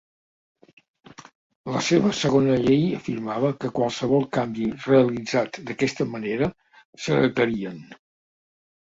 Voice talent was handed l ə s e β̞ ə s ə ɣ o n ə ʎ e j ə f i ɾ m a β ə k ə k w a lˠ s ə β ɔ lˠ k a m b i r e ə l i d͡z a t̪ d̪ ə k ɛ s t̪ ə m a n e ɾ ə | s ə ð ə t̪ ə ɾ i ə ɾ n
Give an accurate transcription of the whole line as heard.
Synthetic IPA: l ə s e β̞ ə s ə ɣ o n ə ʎ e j ə f i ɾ m a β ə k ə k w a lˠ s ə β ɔ lˠ k a m b i r e ə l i d͡z a t̪ d̪ ə k ɛ s t̪ ə m ə n e ɾ ə | s ə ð ə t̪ ə ɾ i ə n